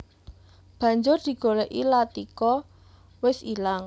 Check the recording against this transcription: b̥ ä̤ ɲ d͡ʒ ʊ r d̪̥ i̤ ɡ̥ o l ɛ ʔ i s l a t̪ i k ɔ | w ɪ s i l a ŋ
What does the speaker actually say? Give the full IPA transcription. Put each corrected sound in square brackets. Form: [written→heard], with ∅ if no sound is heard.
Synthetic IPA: b̥ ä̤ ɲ d͡ʒ ʊ r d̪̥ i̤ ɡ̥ o l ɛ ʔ i [s→∅] l a t̪ i k ɔ | w ɪ s i l a ŋ